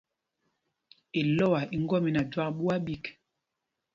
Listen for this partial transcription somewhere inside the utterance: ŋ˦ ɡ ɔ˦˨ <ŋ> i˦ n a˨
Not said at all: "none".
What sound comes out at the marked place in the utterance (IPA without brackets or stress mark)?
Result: m